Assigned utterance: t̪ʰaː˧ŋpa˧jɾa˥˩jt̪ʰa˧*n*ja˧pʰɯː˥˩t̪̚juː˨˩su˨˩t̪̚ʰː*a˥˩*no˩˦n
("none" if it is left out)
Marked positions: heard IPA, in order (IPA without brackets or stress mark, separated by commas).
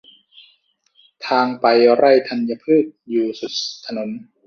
n, a˧